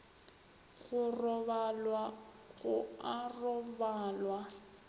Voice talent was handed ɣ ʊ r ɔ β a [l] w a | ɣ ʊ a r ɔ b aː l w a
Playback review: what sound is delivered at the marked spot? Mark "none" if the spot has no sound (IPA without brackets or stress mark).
l